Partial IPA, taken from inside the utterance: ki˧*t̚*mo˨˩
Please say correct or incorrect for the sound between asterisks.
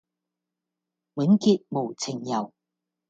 correct